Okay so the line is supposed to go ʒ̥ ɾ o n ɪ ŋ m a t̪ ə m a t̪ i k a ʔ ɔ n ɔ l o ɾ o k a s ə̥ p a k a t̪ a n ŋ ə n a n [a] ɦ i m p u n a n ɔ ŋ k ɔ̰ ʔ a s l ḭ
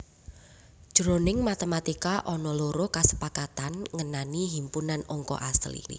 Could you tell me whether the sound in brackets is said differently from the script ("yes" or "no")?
yes